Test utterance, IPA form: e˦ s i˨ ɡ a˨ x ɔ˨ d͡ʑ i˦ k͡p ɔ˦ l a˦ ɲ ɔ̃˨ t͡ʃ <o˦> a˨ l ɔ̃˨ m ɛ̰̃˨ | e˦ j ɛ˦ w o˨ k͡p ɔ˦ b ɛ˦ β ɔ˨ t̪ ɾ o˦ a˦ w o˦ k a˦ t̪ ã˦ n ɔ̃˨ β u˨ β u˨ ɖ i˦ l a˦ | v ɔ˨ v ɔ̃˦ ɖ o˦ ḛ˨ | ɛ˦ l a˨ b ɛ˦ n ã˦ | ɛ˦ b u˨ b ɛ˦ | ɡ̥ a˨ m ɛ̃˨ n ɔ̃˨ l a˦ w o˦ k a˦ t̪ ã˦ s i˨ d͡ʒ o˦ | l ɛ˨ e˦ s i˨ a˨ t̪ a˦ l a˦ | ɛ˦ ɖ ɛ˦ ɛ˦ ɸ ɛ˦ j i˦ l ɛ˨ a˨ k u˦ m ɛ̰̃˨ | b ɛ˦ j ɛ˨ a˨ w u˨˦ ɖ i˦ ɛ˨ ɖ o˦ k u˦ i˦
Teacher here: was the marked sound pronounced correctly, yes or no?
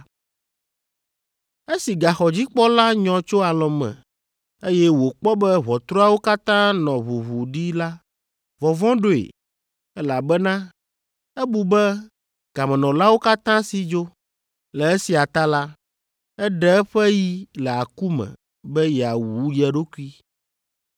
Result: yes